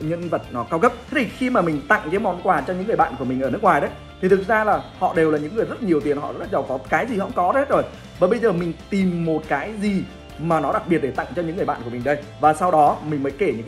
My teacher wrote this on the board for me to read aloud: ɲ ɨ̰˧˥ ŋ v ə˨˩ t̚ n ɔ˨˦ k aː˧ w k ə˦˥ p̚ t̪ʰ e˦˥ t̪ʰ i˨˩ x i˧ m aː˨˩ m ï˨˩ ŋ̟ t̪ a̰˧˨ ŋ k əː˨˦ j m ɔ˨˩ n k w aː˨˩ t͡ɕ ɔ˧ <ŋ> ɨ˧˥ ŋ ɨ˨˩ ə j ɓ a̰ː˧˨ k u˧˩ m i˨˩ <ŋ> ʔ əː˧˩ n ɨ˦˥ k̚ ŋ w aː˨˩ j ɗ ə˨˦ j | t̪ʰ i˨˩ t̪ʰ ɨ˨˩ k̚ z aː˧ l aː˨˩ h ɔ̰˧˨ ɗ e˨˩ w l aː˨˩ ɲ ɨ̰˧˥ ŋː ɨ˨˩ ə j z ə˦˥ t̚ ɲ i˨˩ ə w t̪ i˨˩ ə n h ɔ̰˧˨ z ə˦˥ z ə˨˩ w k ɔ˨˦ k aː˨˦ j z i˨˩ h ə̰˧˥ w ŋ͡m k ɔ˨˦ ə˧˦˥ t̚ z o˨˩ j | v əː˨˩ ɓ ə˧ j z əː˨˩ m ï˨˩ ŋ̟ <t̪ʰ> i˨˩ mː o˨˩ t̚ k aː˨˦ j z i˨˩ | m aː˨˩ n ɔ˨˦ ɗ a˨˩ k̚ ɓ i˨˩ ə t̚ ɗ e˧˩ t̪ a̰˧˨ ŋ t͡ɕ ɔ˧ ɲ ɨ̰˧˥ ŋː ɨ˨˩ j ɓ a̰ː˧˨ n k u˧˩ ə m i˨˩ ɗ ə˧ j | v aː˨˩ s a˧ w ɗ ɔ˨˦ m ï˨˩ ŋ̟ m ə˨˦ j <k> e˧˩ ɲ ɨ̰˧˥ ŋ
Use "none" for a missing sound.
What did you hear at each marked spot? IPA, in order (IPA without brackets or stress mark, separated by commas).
ɲ, ŋ, t̪, k